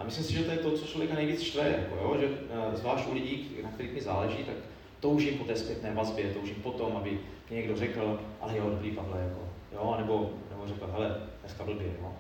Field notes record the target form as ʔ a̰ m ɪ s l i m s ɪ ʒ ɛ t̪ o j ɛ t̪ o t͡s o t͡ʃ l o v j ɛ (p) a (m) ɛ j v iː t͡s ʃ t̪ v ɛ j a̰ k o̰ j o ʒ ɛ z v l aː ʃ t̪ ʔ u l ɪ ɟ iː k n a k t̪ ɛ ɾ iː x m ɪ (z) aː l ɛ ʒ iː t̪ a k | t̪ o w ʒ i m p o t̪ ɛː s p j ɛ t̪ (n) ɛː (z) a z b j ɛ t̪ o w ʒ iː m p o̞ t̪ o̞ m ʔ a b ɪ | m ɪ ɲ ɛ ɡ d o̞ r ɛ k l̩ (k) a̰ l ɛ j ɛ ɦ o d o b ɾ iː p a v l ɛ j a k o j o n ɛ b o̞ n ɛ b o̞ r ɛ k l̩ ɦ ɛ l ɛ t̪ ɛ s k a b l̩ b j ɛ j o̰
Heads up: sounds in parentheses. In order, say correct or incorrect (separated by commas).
incorrect, incorrect, correct, correct, incorrect, incorrect